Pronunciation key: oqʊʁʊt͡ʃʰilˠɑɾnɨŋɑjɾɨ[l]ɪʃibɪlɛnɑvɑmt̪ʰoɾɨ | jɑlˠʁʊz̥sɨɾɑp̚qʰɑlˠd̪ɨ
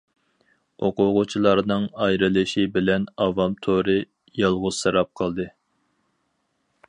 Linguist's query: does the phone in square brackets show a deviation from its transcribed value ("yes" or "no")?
no